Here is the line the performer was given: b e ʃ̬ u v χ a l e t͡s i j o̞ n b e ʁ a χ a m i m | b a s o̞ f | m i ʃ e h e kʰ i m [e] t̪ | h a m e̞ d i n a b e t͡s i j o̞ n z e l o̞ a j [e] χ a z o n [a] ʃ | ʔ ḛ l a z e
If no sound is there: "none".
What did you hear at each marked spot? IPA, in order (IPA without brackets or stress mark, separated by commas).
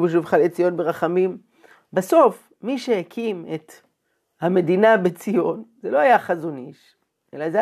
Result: e, a, i